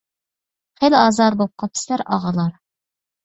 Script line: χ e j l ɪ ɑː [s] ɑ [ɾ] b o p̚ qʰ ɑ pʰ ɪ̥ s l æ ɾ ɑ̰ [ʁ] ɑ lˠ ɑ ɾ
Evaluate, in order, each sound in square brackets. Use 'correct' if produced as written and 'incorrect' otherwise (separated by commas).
incorrect, correct, correct